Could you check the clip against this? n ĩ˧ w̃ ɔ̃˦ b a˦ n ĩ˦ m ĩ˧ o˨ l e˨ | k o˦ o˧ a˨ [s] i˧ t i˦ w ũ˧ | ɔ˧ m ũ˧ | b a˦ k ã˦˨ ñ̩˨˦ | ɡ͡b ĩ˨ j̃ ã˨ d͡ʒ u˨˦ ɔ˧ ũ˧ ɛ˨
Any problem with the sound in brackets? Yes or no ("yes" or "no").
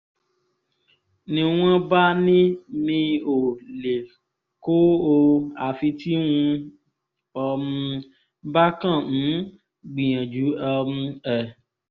yes